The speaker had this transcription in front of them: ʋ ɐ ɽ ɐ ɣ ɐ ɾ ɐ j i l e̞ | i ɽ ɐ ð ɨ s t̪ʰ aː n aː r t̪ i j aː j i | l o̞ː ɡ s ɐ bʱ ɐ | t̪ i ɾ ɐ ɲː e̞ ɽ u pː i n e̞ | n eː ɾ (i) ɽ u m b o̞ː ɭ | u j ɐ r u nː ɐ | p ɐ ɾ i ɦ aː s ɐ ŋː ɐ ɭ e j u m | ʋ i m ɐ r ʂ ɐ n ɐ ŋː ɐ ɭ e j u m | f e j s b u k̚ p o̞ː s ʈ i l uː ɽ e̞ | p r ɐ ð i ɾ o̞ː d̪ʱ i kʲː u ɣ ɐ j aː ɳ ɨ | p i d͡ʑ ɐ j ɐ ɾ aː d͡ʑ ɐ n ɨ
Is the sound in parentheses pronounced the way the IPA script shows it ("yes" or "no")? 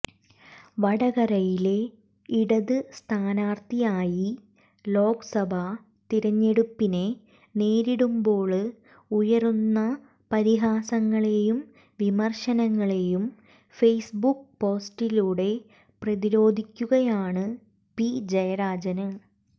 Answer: yes